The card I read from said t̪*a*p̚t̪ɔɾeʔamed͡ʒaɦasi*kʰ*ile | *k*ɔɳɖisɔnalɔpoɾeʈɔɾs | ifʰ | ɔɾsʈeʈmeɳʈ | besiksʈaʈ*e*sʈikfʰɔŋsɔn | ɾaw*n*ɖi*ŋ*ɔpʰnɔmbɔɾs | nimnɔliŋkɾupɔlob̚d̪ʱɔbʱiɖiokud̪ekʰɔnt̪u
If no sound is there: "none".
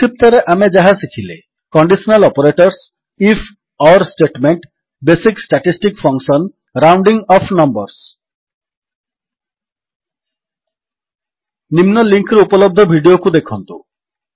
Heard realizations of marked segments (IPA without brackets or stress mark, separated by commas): i, kʰ, k, i, ɳ, ŋ